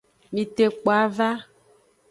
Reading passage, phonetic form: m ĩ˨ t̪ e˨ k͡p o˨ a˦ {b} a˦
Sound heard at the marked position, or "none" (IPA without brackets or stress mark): v